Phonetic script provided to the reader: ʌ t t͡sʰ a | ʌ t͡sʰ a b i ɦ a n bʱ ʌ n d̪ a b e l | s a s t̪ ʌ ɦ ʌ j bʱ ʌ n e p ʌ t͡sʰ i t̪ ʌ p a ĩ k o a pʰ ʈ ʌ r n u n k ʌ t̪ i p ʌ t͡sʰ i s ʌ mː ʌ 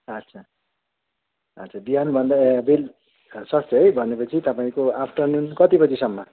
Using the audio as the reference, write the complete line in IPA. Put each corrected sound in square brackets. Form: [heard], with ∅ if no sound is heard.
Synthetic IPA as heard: ʌ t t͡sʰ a | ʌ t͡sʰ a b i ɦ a n bʱ ʌ n d̪ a b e l | s [ʌ] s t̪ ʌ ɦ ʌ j bʱ ʌ n e p ʌ t͡sʰ i t̪ ʌ p a ĩ k o a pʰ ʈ ʌ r n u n k ʌ t̪ i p ʌ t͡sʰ i s ʌ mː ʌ